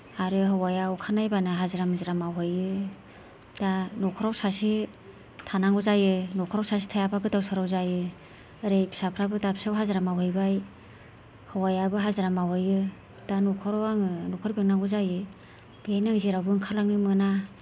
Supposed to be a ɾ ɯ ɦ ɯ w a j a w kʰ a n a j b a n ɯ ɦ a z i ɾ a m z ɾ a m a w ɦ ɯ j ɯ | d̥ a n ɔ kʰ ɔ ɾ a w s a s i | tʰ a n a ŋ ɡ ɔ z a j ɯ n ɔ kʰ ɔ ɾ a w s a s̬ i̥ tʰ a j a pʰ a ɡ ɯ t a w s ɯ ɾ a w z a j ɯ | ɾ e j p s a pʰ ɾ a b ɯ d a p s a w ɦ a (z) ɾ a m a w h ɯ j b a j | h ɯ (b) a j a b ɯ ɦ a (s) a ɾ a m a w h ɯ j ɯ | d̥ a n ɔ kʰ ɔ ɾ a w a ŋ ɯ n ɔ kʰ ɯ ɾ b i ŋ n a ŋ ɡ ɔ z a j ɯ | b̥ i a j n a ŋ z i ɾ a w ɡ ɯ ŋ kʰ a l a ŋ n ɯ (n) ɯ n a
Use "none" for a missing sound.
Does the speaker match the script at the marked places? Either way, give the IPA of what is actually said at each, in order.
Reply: z, w, z, m

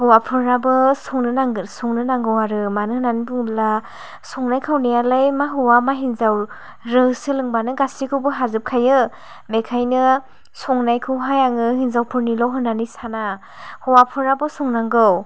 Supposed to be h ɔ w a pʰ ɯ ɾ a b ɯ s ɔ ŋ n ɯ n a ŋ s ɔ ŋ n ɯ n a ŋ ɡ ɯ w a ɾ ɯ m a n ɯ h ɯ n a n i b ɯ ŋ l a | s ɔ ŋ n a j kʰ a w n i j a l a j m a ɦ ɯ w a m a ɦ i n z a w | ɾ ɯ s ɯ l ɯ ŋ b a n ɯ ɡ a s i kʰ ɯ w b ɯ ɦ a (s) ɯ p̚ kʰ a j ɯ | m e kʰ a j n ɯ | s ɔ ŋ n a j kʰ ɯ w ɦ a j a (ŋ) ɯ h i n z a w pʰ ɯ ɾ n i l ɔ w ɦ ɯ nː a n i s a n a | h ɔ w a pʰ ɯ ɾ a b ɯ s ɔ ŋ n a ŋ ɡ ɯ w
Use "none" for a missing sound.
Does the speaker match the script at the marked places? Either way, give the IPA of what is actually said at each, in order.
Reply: z, ŋ

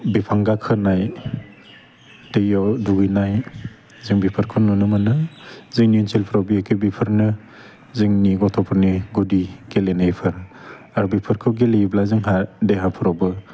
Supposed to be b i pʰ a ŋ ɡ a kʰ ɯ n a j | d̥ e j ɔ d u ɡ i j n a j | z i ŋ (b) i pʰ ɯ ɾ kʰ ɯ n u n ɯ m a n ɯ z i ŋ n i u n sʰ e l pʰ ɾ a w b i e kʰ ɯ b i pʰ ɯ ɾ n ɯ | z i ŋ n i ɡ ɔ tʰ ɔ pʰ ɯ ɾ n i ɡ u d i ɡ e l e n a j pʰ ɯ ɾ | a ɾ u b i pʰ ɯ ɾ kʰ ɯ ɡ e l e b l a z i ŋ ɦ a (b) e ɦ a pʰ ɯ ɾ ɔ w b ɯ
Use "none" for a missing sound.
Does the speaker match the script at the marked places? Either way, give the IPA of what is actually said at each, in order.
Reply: b, d

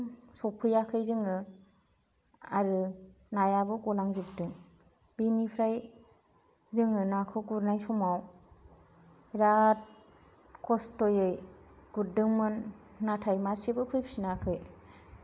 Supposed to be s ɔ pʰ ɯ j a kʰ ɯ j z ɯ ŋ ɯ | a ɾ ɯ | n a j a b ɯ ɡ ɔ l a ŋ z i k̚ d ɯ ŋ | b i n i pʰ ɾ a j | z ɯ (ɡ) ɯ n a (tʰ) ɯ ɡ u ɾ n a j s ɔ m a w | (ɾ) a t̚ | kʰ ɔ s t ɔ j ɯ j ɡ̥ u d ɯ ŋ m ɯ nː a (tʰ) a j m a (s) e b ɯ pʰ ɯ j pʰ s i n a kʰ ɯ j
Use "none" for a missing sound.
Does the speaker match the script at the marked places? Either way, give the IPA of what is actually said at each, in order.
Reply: ŋ, kʰ, ɾ, tʰ, s

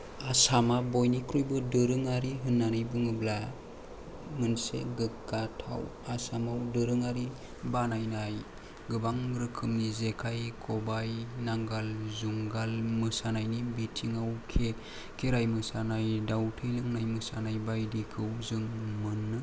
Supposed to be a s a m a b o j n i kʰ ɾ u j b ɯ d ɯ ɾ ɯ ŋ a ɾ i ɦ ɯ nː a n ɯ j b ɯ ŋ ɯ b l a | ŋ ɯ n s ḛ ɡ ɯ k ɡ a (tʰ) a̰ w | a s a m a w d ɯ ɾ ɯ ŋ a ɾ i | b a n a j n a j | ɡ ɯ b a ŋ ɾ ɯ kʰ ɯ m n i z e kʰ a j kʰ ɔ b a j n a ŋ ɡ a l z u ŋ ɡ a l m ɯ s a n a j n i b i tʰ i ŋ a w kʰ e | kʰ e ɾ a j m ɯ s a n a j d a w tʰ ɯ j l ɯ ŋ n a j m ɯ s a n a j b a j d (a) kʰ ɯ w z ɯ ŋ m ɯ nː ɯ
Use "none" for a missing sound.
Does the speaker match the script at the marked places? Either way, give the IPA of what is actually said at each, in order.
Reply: tʰ, i

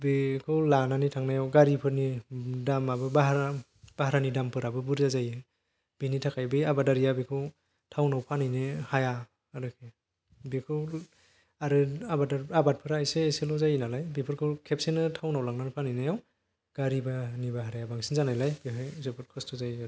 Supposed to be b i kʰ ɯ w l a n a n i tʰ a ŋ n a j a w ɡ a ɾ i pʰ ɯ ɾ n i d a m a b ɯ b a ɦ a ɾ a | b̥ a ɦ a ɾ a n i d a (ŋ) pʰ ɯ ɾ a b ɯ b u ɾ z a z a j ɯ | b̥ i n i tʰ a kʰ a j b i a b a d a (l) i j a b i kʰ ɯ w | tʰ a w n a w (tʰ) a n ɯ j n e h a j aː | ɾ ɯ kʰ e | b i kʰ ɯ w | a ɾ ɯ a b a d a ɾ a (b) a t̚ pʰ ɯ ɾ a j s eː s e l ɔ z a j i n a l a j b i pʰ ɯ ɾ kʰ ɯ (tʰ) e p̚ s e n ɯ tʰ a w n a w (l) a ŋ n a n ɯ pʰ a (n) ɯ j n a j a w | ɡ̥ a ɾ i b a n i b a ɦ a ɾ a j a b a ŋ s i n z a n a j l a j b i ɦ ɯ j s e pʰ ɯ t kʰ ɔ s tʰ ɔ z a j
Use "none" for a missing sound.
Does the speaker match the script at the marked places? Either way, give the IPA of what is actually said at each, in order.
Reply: m, ɾ, pʰ, b, kʰ, l, n

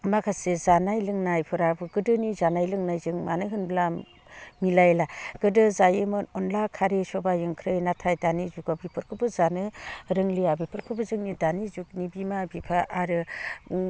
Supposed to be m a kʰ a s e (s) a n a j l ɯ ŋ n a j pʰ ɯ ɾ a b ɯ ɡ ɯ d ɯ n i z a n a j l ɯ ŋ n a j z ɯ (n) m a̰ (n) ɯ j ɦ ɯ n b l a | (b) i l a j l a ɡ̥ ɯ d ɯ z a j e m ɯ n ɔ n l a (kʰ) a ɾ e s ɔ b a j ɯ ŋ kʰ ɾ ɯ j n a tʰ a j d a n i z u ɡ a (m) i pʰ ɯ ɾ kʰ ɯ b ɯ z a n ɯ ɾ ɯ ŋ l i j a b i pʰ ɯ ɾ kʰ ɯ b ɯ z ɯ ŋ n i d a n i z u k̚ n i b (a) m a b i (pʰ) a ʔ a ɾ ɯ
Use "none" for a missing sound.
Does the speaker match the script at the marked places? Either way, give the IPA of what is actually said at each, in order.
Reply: z, ŋ, n, m, kʰ, b, i, pʰ

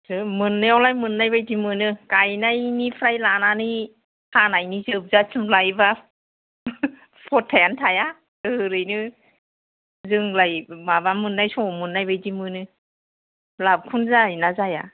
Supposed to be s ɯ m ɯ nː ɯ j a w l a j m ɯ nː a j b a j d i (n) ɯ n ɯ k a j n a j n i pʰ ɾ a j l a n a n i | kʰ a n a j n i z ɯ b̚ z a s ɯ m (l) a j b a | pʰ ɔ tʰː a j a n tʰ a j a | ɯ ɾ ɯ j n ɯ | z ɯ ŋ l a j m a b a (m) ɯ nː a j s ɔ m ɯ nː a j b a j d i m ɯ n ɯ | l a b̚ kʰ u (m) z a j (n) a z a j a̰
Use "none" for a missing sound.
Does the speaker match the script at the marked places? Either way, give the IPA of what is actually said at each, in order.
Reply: m, l, m, n, n

